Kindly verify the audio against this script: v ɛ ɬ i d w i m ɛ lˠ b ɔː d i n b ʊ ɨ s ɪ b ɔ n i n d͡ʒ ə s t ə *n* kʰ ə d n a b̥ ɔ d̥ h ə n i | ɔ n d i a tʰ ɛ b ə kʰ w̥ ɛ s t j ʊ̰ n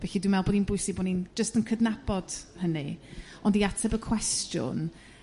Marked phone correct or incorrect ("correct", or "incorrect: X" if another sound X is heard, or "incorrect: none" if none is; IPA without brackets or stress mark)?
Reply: correct